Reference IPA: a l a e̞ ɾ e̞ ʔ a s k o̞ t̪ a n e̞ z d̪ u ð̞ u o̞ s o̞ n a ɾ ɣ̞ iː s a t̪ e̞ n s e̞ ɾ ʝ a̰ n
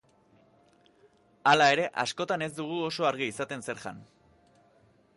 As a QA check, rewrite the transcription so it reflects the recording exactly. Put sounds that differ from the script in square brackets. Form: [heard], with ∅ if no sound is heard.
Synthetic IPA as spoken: a l a e̞ ɾ e̞ ʔ a s k o̞ t̪ a n e̞ z d̪ u [ɣ̞] u o̞ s o̞ [∅] a ɾ ɣ̞ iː s a t̪ e̞ n s e̞ ɾ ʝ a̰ n